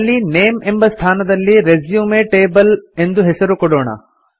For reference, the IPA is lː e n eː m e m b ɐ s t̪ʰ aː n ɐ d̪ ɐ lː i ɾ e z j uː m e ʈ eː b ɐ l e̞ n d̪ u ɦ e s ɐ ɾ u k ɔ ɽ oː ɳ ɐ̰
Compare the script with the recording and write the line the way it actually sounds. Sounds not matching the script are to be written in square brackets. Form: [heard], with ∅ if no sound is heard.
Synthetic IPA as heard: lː [i] n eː m e m b ɐ s t̪ʰ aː n ɐ d̪ ɐ lː i ɾ e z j uː m e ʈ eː b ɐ l e̞ n d̪ u ɦ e s ɐ ɾ u k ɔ ɽ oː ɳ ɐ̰